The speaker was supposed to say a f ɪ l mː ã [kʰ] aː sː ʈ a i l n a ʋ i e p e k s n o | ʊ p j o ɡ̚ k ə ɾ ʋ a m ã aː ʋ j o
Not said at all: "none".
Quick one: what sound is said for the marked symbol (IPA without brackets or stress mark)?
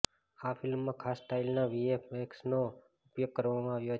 kʰ